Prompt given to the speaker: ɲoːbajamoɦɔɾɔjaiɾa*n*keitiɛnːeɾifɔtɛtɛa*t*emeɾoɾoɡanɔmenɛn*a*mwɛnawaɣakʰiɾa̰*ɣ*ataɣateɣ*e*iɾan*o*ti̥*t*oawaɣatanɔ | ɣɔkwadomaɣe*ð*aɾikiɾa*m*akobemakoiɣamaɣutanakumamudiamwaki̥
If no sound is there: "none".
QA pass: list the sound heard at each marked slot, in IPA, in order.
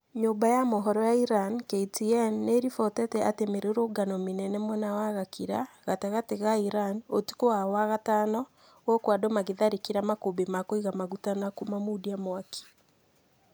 n, t, ɛ, ɣ, a, o, k, ð, m

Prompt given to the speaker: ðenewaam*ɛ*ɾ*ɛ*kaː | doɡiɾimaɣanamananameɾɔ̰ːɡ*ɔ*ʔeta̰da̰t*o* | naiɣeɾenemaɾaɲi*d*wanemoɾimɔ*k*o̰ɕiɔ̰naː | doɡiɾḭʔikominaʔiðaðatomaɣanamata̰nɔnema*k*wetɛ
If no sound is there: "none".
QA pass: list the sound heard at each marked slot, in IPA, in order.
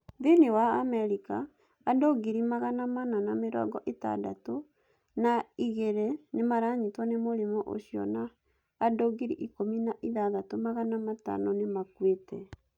ɛ, i, ɔ, o, t, ʔ, k

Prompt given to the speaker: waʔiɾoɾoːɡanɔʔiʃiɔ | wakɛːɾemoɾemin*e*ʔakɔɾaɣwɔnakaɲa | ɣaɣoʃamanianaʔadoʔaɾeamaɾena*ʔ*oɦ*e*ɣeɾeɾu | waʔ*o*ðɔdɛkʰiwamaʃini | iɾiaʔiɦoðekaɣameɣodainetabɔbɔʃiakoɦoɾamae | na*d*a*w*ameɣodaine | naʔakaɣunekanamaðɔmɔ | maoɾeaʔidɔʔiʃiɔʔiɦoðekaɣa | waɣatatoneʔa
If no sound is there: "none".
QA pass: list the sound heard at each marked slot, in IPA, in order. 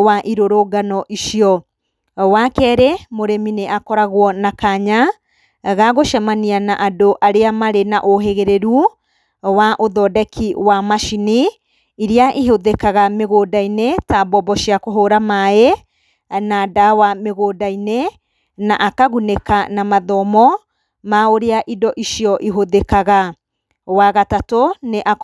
e, ʔ, e, o, d, w

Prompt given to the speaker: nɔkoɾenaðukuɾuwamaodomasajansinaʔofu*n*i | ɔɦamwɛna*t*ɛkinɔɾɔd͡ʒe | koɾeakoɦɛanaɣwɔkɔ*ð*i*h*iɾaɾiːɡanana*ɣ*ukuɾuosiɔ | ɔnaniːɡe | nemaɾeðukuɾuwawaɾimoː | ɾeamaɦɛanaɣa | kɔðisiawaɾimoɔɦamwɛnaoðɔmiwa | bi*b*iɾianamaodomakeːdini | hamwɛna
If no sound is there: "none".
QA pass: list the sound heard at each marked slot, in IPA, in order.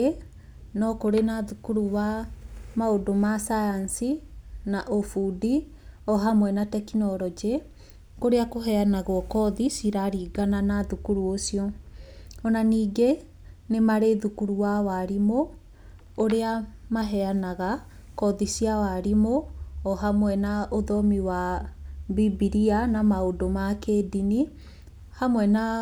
d, t, ð, s, ð, b

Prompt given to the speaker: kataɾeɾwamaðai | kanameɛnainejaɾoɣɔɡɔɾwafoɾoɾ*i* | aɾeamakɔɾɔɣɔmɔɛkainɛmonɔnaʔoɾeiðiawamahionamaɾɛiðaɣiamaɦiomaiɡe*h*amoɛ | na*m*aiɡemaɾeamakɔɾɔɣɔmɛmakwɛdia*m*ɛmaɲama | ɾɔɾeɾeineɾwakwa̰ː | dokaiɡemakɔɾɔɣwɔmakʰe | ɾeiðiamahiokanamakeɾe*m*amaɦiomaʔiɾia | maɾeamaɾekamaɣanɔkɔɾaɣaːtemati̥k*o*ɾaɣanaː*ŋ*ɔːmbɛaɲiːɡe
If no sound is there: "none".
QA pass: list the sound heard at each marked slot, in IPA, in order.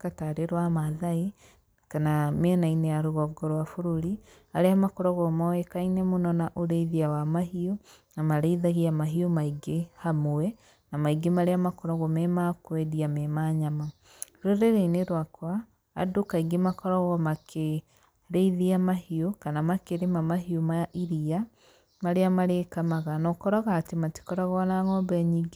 i, h, m, m, m, ɔ, ŋ

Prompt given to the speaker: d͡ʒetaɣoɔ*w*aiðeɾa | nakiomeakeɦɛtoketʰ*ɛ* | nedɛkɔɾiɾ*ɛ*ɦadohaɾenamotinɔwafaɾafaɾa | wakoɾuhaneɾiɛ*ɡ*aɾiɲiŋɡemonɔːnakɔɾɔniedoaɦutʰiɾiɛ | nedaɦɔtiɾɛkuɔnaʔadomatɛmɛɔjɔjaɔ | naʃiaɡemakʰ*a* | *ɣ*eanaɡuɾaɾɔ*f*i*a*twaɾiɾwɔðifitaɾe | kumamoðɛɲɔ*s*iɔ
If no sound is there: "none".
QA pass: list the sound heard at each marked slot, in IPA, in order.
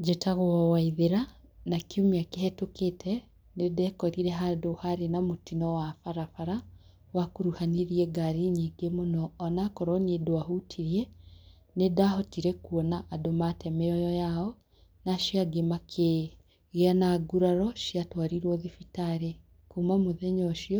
w, ɛ, ɛ, ɡ, e, ɣ, ʃ, a, ʃ

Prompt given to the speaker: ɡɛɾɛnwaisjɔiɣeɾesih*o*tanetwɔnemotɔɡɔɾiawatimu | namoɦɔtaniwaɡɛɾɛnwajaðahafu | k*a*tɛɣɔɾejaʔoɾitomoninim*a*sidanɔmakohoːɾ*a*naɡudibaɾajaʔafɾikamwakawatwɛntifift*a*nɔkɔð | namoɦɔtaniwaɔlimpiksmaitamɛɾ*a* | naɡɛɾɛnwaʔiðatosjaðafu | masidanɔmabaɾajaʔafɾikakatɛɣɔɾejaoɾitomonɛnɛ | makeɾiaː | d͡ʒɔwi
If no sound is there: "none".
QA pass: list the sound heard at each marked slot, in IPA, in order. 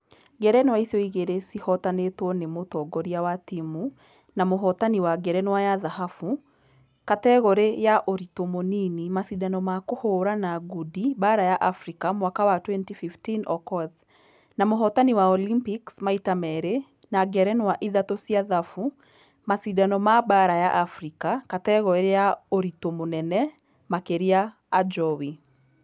ɔ, a, a, a, i, e

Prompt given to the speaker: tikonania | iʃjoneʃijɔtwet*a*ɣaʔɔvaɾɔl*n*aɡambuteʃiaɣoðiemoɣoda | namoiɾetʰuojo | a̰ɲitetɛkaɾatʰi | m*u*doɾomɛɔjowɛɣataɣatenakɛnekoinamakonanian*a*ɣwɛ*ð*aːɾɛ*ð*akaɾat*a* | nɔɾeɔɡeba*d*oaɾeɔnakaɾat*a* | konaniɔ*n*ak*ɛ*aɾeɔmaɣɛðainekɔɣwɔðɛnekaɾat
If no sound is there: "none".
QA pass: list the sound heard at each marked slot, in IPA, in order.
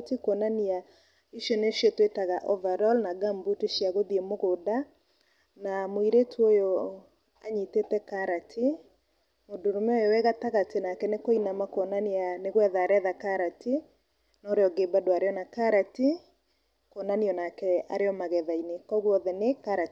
a, n, o, e, ð, ð, i, d, i, n, ɛ

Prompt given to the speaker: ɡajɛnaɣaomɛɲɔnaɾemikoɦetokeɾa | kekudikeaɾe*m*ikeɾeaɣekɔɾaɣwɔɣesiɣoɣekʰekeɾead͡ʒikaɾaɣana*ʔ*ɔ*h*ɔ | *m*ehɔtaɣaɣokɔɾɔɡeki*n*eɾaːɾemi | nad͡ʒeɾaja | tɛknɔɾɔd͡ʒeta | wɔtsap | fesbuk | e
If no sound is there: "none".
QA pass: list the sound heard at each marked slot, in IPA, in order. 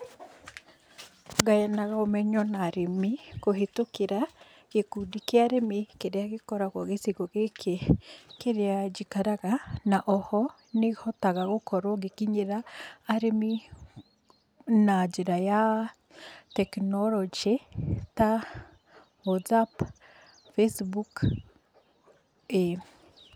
m, ʔ, h, n, ɲ

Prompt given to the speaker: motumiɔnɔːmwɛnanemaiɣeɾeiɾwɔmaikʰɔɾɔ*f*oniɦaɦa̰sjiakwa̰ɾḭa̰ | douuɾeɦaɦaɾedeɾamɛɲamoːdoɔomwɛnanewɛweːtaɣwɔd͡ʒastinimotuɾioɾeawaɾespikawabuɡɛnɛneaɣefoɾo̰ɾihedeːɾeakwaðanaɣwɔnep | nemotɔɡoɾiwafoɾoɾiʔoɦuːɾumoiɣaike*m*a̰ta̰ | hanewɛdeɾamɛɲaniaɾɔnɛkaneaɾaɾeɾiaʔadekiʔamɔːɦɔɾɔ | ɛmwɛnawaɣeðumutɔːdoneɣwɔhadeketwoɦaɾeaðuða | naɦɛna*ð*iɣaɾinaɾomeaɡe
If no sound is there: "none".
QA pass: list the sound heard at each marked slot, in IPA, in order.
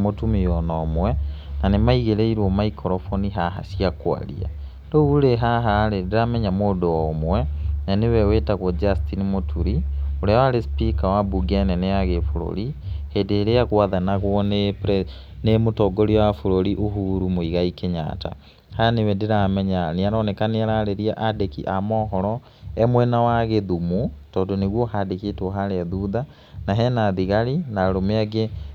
f, ɲ, ð

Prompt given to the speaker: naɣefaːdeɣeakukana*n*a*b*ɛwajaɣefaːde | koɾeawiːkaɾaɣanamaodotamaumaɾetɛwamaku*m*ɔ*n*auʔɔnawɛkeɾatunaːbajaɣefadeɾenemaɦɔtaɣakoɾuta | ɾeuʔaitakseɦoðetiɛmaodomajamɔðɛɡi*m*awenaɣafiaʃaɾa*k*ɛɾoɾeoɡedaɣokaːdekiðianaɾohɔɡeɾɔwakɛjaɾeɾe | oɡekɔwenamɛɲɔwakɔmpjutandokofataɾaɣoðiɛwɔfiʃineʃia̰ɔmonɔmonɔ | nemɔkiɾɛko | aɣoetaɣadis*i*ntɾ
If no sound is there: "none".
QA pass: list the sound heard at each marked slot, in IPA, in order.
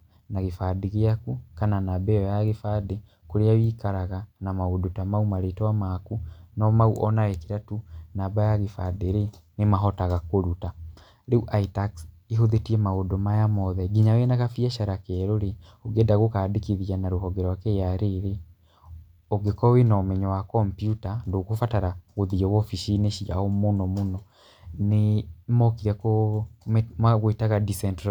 n, b, n, m, ɲ, k, ɛ

